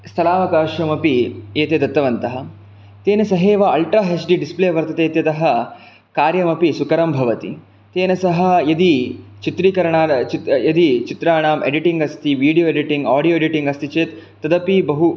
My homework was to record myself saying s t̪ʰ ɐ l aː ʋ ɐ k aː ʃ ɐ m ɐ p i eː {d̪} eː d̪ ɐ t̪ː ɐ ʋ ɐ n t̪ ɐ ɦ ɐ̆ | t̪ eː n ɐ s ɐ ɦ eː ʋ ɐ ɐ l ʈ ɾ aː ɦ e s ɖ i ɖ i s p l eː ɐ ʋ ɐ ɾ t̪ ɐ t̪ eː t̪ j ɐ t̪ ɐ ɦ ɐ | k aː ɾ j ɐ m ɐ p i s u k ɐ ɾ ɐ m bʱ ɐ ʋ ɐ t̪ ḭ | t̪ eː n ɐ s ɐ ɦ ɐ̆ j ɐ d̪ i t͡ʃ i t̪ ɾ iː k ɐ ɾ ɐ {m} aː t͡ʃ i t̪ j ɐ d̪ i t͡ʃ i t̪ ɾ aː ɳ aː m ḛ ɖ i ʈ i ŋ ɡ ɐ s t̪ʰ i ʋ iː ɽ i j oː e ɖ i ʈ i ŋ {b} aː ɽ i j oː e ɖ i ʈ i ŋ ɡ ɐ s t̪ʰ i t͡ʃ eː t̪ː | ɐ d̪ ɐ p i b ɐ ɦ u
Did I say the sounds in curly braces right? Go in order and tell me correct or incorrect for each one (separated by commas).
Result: incorrect, incorrect, incorrect